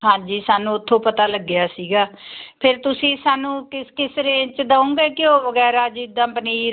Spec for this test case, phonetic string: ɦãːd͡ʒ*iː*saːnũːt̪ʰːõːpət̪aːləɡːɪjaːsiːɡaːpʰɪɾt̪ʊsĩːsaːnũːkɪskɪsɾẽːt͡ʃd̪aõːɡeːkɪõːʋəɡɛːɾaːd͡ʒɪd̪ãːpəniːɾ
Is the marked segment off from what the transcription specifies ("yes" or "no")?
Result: no